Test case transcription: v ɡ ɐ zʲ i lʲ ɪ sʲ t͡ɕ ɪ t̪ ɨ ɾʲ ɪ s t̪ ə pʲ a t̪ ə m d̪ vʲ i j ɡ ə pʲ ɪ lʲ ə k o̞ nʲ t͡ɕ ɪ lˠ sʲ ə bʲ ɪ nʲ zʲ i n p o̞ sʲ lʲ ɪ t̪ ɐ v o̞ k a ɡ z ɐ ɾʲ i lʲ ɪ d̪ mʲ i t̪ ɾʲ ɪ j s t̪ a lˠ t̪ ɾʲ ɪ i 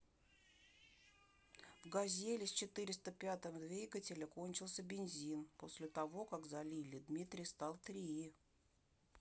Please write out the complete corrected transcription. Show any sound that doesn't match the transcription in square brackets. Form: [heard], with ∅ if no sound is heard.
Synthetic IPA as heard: v ɡ ɐ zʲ [e] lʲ ɪ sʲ t͡ɕ ɪ t̪ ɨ ɾʲ ɪ s t̪ ə pʲ a t̪ ə m d̪ vʲ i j ɡ ə [tʲ] ɪ lʲ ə k o̞ nʲ t͡ɕ ɪ lˠ sʲ ə bʲ ɪ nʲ zʲ i n p o̞ sʲ lʲ ɪ t̪ ɐ v o̞ k a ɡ z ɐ [lʲ] i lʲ ɪ d̪ mʲ i t̪ ɾʲ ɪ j s t̪ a lˠ t̪ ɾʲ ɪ i